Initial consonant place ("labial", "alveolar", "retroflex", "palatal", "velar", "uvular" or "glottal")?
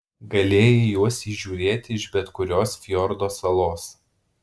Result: velar